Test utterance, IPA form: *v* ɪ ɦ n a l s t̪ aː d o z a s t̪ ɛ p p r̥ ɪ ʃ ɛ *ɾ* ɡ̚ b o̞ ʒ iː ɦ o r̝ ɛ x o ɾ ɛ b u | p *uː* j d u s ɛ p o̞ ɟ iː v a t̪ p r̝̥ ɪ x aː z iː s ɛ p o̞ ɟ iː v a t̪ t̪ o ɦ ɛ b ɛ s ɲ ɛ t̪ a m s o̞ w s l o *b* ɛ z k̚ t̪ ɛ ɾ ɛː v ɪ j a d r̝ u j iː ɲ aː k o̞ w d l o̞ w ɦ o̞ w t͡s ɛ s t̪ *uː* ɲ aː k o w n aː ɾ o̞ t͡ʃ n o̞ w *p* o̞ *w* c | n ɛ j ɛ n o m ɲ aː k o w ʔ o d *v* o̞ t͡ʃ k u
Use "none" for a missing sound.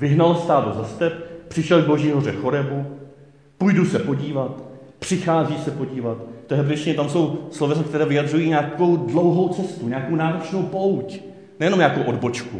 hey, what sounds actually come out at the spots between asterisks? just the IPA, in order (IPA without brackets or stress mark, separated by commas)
v, l, u, v, u, p, w, b